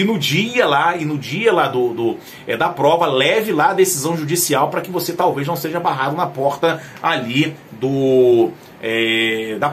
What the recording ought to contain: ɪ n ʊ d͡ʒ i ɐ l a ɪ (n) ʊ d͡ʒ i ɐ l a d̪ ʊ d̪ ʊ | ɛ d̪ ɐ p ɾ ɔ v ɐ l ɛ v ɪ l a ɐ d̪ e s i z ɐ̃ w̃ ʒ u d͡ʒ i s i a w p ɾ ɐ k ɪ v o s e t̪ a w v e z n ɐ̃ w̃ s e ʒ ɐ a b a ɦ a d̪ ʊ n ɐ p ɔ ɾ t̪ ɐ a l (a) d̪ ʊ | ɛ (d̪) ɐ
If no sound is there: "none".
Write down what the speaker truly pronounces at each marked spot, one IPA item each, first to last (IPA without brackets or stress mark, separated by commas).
n, i, d̪